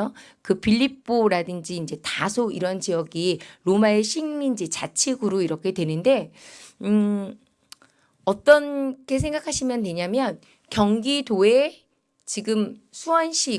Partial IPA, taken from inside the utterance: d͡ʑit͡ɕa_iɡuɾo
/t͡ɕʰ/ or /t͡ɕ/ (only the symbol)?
t͡ɕʰ